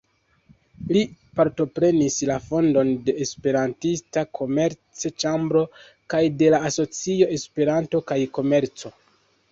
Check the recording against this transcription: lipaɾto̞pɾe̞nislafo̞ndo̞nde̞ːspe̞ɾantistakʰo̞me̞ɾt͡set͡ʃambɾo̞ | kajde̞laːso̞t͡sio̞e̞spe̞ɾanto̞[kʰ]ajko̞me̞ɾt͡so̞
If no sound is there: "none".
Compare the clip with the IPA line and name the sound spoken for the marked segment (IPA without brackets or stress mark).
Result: k